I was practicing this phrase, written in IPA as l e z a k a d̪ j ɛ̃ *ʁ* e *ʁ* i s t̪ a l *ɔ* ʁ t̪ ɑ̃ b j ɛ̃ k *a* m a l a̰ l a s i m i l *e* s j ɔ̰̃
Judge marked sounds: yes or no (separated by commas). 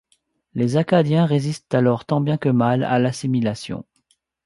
yes, no, yes, no, no